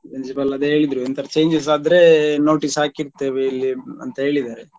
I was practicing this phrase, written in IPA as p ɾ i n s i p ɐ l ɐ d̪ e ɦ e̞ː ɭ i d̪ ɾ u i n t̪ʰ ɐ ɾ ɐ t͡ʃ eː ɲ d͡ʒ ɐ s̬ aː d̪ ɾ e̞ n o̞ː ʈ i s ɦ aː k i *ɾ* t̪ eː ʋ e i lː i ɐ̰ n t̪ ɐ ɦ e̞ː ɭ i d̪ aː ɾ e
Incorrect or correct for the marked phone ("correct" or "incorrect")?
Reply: correct